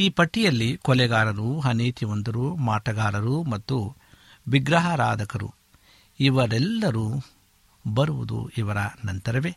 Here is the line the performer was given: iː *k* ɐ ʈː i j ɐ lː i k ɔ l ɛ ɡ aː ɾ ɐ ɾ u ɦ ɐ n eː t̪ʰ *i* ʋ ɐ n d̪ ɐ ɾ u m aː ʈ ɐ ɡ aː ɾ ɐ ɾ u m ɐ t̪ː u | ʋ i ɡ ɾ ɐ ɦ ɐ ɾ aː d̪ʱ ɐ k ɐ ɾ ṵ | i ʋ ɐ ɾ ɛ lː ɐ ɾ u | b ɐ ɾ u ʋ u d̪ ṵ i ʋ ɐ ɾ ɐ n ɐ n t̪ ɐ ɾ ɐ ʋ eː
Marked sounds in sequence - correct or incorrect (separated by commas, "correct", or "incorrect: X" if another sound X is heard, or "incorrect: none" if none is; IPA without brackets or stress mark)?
incorrect: p, correct